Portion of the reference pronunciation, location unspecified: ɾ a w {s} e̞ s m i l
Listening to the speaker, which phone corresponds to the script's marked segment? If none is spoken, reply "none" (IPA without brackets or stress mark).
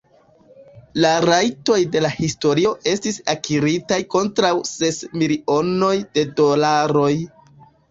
s